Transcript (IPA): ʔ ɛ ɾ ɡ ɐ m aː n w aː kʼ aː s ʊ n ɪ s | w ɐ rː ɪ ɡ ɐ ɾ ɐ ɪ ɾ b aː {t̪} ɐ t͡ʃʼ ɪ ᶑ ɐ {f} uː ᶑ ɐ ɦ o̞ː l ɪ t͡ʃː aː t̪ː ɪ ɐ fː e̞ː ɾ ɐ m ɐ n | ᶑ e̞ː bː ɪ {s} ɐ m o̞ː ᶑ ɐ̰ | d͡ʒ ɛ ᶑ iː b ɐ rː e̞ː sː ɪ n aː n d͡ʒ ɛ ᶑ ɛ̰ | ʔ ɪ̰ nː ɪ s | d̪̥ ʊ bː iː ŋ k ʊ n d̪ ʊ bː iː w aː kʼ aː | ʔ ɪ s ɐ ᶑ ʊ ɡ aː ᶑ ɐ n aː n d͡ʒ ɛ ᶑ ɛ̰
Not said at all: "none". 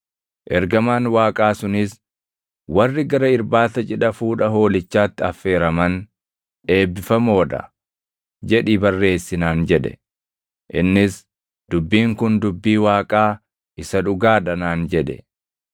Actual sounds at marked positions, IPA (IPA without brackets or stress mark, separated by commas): t̪, f, f